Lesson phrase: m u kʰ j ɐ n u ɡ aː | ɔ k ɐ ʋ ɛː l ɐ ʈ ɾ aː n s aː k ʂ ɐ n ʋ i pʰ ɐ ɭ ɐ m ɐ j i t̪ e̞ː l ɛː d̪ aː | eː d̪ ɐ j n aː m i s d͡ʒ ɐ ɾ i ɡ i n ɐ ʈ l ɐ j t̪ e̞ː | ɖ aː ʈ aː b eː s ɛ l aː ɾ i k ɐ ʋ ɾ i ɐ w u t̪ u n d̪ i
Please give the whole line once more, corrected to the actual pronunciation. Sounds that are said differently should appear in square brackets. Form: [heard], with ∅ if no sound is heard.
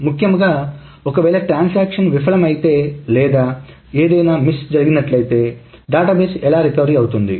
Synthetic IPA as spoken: m u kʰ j ɐ [m] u ɡ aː | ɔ k ɐ ʋ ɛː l ɐ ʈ ɾ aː n s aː k ʂ ɐ n ʋ i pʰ ɐ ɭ ɐ m ɐ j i t̪ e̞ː l ɛː d̪ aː | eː d̪ ɐ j n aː m i s d͡ʒ ɐ ɾ i ɡ i n ɐ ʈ l ɐ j t̪ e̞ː | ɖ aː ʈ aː b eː s ɛ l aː ɾ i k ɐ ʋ ɾ i ɐ w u t̪ u n d̪ i

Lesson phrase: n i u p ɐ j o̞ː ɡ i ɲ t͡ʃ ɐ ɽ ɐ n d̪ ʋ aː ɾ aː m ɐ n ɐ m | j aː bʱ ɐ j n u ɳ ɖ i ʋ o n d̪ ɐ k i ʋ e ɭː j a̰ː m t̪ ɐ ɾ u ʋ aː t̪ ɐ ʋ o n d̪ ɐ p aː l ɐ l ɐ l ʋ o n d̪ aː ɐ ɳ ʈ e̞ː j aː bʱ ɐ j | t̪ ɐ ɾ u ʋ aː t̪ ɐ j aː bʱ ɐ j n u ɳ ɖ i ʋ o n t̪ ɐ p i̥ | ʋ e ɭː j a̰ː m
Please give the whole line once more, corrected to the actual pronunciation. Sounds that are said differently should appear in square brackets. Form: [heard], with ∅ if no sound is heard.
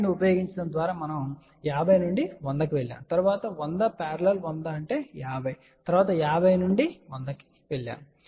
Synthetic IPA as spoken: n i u p ɐ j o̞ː ɡ i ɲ t͡ʃ ɐ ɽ ɐ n d̪ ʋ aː ɾ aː m ɐ n ɐ m | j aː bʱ ɐ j n u ɳ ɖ i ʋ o n d̪ ɐ k i ʋ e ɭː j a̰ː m t̪ ɐ ɾ u ʋ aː t̪ ɐ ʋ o n d̪ ɐ p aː [ɾ] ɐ l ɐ l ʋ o n d̪ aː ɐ ɳ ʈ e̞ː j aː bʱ ɐ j | t̪ ɐ ɾ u ʋ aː t̪ ɐ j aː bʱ ɐ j n u ɳ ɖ i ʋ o n [d̪] ɐ [k] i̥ | ʋ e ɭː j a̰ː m

